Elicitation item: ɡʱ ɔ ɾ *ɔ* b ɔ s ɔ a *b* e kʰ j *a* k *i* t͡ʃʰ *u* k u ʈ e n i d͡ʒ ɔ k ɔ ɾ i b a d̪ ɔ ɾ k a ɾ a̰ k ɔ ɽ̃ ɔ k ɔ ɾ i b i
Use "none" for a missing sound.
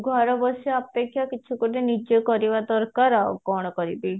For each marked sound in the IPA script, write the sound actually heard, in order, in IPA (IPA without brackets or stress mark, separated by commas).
ɔ, p, a, i, u